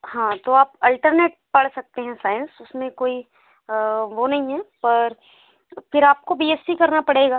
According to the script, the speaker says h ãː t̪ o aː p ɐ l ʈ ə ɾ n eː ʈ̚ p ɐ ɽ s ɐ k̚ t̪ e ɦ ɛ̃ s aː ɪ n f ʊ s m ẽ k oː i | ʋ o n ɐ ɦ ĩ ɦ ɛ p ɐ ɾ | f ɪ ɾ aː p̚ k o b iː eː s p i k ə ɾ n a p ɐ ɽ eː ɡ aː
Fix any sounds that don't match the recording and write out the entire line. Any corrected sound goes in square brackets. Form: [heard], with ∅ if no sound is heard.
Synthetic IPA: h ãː t̪ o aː p ɐ l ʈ ə ɾ n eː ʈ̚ p ɐ ɽ s ɐ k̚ t̪ e ɦ ɛ̃ s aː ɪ n [s] ʊ s m ẽ k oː i | ʋ o n ɐ ɦ ĩ ɦ ɛ p ɐ ɾ | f ɪ ɾ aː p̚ k o b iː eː s p i k [ɐ] ɾ n a p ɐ ɽ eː ɡ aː

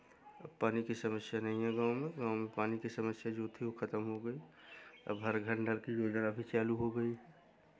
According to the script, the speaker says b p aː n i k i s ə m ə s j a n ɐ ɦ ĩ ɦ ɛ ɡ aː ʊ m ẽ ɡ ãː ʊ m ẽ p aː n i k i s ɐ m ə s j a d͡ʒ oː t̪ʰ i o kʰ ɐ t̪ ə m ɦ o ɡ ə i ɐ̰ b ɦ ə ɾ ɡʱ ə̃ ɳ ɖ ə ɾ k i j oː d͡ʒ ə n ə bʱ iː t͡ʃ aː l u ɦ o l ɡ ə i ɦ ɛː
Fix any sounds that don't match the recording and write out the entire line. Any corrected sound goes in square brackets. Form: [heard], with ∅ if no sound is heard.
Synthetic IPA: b p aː n i k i s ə m ə s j a n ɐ ɦ ĩ ɦ ɛ ɡ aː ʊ m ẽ ɡ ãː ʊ m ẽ p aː n i k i s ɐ m ə s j a d͡ʒ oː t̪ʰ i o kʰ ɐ t̪ ə m ɦ o ɡ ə i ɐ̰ b ɦ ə ɾ ɡʱ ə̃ ɳ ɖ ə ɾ k i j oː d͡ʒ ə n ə bʱ [i] t͡ʃ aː l u ɦ o [∅] ɡ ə i ɦ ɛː

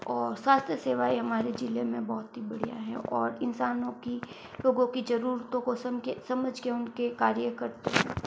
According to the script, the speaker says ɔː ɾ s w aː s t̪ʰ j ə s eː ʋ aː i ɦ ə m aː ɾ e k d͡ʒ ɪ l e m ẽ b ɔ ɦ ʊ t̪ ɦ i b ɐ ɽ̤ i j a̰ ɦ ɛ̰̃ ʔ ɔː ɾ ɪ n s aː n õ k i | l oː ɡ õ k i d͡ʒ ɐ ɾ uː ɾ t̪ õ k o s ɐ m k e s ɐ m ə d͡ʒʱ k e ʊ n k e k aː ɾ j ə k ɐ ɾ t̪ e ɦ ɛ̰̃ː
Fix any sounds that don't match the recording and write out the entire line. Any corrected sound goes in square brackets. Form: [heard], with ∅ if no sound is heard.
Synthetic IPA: ɔː ɾ s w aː s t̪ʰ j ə s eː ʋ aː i ɦ [ɐ] m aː ɾ e [∅] d͡ʒ ɪ l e m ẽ b ɔ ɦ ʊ t̪ ɦ i b ɐ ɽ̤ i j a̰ ɦ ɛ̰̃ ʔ ɔː ɾ ɪ n s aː n õ k i | l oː ɡ õ k i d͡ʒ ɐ ɾ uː ɾ t̪ õ k o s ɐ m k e s ɐ m ə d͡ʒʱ k e ʊ n k e k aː ɾ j ə k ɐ ɾ t̪ e ɦ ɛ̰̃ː

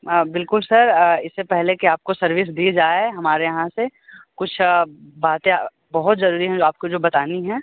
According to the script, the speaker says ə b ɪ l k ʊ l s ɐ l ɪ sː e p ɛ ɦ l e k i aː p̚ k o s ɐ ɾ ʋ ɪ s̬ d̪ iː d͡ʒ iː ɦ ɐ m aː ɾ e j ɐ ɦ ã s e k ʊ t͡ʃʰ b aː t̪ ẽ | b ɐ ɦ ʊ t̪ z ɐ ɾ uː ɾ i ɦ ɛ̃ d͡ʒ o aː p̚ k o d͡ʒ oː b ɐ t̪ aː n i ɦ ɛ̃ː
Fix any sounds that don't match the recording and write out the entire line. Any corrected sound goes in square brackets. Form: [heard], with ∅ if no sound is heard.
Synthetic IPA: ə b ɪ l k ʊ l s ɐ [ɾ] ɪ sː e p ɛ ɦ l e k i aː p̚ k o s ɐ ɾ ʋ ɪ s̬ d̪ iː d͡ʒ [aː] ɦ ɐ m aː ɾ e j ɐ ɦ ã s e k ʊ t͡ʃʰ b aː t̪ ẽ | b ɐ ɦ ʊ t̪ z ɐ ɾ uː ɾ i ɦ ɛ̃ d͡ʒ o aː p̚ k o d͡ʒ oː b ɐ t̪ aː n i ɦ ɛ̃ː

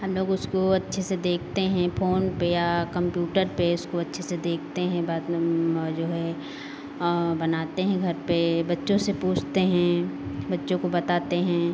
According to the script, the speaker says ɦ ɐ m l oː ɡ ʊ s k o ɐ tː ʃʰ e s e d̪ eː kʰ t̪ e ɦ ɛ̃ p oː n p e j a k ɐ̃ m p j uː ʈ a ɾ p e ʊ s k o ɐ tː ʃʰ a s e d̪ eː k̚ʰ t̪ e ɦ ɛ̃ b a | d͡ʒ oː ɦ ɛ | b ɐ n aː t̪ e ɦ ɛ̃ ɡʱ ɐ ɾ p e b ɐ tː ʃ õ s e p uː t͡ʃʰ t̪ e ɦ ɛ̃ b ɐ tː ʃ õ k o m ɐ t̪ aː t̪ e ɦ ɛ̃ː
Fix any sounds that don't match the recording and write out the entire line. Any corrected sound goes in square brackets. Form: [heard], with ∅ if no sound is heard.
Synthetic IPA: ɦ ɐ m l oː ɡ ʊ s k o ɐ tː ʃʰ e s e d̪ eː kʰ t̪ e ɦ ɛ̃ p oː n p e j a k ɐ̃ m p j uː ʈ [ə] ɾ p e ʊ s k o ɐ tː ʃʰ [e] s e d̪ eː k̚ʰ t̪ e ɦ ɛ̃ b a | d͡ʒ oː ɦ ɛ | b ɐ n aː t̪ e ɦ ɛ̃ ɡʱ ɐ ɾ p e b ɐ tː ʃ õ s e p uː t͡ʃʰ t̪ e ɦ ɛ̃ b ɐ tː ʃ õ k o [b] ɐ t̪ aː t̪ e ɦ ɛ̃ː

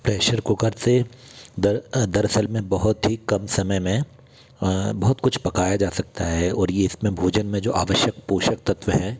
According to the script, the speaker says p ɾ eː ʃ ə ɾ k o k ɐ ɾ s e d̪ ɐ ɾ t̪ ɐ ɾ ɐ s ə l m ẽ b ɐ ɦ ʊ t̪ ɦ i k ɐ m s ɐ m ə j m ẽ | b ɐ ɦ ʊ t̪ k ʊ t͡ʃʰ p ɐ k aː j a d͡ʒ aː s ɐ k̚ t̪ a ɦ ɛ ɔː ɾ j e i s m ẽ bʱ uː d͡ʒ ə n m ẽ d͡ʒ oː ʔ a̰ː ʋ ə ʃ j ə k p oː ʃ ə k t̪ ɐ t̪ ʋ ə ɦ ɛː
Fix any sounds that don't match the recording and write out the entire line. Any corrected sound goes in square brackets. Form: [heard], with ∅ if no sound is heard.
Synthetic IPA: p ɾ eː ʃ ə ɾ k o k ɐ ɾ s e d̪ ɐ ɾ [d̪] ɐ ɾ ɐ s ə l m ẽ b ɐ ɦ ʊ t̪ ɦ i k ɐ m s ɐ m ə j m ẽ | b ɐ ɦ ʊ t̪ k ʊ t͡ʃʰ p ɐ k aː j a d͡ʒ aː s ɐ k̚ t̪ a ɦ ɛ ɔː ɾ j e [ɪ] s m ẽ bʱ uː d͡ʒ ə n m ẽ d͡ʒ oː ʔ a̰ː ʋ ə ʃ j ə k p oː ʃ ə k t̪ ɐ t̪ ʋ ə ɦ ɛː

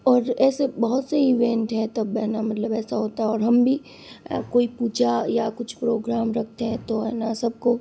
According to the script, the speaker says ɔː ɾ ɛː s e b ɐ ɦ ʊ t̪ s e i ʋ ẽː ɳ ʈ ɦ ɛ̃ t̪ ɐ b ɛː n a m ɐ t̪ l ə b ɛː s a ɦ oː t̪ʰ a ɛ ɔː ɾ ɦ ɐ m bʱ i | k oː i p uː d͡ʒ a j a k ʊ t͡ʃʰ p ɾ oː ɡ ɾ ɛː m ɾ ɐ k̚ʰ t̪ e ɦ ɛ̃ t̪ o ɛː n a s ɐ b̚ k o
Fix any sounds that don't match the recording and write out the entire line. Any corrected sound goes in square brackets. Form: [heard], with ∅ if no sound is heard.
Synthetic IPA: ɔː ɾ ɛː s e b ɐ ɦ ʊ t̪ s e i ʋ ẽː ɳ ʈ ɦ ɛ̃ t̪ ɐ b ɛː n a m ɐ t̪ l ə b ɛː s a ɦ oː [t̪] a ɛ ɔː ɾ ɦ ɐ m bʱ i | k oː i p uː d͡ʒ a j a k ʊ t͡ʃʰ p ɾ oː ɡ ɾ [aː] m ɾ ɐ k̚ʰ t̪ e ɦ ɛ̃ t̪ o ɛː n a s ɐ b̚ k o

